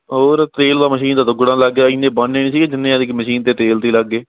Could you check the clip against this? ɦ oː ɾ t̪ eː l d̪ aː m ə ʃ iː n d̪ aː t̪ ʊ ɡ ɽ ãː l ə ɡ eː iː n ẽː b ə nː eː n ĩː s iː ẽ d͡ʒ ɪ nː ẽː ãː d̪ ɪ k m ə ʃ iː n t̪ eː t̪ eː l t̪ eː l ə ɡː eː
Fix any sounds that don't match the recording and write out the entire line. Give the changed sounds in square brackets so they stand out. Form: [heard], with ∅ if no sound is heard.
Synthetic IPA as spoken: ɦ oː ɾ t̪ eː l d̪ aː m ə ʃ iː n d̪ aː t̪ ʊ ɡ ɽ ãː l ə ɡ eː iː n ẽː b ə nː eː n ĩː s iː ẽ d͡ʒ ɪ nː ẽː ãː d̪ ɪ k m ə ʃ iː n t̪ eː t̪ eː l t̪ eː l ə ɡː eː